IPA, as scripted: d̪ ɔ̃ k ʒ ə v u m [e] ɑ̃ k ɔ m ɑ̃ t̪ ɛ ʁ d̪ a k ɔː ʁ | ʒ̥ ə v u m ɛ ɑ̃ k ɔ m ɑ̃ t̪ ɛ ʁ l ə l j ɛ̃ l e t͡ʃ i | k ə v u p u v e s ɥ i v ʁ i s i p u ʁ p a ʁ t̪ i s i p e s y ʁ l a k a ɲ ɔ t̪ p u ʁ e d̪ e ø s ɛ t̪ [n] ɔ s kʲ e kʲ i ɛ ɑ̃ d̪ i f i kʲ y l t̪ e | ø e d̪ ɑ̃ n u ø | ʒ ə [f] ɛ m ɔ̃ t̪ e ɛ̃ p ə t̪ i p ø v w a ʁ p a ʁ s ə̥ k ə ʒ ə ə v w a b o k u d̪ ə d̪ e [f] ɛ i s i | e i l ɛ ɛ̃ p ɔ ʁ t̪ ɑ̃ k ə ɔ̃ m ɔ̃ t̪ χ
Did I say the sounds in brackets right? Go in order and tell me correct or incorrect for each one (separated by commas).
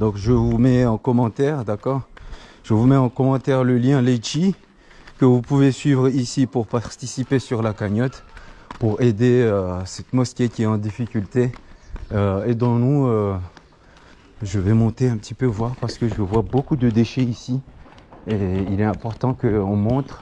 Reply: incorrect, incorrect, incorrect, incorrect